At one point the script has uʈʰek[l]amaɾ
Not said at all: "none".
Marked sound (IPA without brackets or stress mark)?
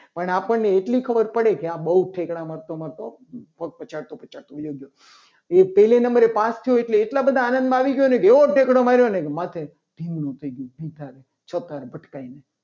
ɽ